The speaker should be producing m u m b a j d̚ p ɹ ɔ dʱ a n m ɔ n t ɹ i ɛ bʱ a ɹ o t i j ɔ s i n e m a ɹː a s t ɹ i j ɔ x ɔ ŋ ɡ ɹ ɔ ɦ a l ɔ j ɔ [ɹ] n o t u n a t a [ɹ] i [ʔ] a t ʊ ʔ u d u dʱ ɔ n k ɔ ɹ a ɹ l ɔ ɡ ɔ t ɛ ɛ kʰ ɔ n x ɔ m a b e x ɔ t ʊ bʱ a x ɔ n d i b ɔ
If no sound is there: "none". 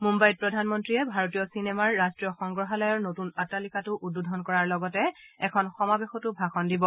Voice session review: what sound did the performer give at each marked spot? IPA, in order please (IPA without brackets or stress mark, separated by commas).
ɹ, l, k